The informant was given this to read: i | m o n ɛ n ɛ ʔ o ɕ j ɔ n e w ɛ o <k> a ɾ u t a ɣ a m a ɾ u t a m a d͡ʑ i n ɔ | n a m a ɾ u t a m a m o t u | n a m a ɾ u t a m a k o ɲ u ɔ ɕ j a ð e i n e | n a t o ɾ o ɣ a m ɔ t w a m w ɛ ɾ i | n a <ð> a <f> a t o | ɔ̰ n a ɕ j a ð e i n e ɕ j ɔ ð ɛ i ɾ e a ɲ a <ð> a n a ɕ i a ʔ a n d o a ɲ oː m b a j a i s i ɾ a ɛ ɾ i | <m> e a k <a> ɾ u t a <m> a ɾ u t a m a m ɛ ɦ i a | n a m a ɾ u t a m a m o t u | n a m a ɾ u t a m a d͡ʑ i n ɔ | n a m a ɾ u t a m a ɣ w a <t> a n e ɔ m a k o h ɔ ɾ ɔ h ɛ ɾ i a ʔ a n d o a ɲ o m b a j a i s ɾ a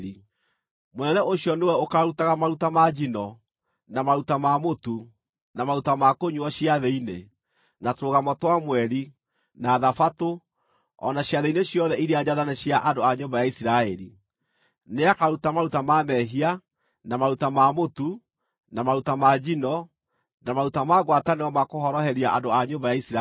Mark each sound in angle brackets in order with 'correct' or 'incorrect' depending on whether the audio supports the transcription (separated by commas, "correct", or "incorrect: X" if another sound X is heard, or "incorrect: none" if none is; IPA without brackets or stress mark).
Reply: correct, correct, correct, correct, incorrect: n, correct, correct, correct